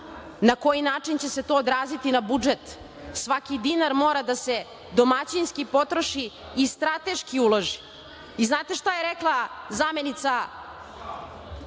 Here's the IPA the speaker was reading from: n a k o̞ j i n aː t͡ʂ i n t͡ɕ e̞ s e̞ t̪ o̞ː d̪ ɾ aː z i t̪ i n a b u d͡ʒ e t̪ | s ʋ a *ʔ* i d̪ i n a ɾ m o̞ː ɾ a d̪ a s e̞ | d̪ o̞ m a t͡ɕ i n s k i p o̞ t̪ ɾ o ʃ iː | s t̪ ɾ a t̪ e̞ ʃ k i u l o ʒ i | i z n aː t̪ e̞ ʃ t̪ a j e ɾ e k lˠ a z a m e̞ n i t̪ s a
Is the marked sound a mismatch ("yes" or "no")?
yes